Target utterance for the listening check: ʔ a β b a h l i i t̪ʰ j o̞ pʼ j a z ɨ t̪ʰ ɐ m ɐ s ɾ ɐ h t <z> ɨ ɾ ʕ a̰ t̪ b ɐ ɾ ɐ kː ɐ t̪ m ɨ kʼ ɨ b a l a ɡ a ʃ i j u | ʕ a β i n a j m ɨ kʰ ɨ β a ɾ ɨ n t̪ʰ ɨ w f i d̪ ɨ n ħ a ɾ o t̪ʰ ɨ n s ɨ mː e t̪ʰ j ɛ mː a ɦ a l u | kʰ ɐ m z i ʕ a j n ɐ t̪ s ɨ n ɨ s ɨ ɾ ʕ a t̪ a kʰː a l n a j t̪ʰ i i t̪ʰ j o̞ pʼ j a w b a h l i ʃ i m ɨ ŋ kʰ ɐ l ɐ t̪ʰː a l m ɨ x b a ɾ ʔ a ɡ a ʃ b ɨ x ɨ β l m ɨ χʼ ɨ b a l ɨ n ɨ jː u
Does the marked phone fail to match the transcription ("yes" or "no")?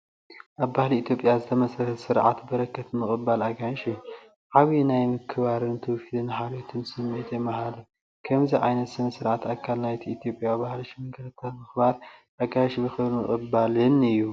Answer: yes